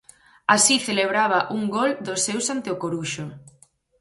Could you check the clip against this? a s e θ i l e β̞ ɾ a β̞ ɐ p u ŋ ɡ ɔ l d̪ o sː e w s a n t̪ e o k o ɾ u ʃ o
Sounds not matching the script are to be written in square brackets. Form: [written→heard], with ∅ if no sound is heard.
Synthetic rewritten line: a s [e→i] θ [i→e] l e β̞ ɾ a β̞ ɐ [p→ʔ] u ŋ ɡ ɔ l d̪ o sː e w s a n t̪ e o k o ɾ u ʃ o